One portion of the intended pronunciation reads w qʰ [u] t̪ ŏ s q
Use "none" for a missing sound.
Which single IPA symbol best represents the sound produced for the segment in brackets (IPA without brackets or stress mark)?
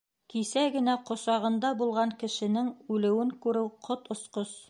o